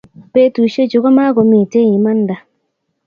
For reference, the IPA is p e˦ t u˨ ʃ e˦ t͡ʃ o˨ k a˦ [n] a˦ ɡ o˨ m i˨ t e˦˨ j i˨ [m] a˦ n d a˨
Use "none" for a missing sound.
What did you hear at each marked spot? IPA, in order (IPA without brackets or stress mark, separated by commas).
m, m